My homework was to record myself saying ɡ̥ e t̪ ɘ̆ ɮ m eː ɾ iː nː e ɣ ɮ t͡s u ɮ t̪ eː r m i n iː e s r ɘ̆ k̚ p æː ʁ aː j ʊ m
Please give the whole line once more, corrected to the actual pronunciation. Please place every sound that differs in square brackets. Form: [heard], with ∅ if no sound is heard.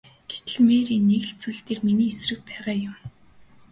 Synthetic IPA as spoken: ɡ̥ e t̪ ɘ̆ ɮ m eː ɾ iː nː e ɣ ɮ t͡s u ɮ t̪ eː r m i n iː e s r ɘ̆ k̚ p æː ʁ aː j ʊ m